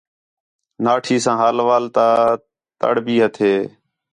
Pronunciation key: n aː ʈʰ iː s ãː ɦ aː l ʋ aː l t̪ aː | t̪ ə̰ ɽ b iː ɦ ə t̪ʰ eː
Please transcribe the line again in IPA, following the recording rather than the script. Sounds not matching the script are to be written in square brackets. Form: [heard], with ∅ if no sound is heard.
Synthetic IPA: n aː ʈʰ iː s ãː ɦ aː l ʋ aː l t̪ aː | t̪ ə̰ ɽ b iː ɦ ə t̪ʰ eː